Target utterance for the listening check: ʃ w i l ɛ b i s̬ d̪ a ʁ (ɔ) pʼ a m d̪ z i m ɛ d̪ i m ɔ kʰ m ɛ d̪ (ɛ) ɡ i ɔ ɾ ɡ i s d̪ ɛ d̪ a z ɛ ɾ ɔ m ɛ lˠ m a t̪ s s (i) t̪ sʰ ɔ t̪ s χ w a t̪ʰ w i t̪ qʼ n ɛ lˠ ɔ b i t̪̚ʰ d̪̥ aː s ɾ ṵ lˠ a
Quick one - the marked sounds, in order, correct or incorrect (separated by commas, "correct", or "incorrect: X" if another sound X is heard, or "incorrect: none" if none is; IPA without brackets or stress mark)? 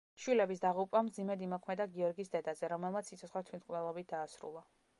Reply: incorrect: u, incorrect: a, correct